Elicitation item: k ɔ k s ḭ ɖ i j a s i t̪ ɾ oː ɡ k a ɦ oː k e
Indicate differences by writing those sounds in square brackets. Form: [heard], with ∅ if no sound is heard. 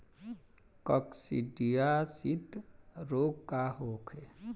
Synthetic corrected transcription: k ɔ k s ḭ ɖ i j a s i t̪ ɾ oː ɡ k a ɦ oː [kʰ] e